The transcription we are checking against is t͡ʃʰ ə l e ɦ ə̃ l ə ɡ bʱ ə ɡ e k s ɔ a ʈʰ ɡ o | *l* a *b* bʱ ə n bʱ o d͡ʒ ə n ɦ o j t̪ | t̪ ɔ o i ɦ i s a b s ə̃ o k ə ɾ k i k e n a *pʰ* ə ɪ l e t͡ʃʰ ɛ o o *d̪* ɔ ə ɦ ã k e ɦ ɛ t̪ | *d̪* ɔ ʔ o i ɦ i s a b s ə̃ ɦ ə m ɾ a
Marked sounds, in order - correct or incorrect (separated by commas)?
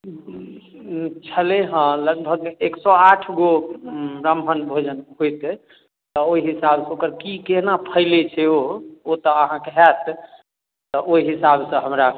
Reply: incorrect, incorrect, correct, incorrect, incorrect